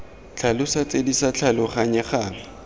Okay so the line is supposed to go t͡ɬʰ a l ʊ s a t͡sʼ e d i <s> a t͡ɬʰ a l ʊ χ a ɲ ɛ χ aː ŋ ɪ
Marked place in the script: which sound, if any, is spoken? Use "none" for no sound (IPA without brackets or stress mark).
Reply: s